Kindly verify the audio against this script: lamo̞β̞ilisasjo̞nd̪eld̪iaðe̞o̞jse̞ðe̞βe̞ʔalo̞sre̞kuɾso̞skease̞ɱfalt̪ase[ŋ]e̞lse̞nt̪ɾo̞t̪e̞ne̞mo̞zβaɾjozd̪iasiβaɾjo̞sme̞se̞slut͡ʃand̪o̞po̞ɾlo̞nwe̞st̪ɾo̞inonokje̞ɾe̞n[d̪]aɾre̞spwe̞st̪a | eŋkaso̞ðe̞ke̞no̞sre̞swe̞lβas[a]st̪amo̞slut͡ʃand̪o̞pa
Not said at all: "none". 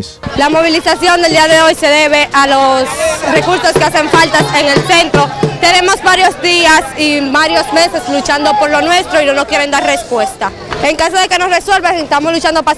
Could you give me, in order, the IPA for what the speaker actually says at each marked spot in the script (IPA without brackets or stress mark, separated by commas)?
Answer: ŋ, d̪, e